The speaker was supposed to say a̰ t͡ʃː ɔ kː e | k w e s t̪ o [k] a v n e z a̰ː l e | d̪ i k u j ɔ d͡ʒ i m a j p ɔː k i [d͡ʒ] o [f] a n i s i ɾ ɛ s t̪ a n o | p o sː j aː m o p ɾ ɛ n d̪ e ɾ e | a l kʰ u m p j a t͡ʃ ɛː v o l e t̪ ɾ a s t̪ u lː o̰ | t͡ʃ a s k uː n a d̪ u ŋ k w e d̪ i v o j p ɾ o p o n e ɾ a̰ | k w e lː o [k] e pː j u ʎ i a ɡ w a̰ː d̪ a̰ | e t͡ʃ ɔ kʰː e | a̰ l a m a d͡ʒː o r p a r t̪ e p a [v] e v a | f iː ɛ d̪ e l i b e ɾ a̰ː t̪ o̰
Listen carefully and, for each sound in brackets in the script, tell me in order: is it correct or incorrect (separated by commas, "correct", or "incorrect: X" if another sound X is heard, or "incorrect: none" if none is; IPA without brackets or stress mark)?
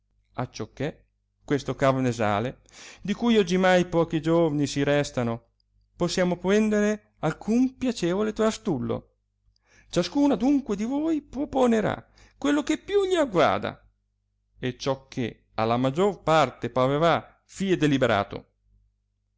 correct, correct, incorrect: v, correct, correct